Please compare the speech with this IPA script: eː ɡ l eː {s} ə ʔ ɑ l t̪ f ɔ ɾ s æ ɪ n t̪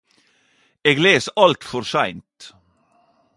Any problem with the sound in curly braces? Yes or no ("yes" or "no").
no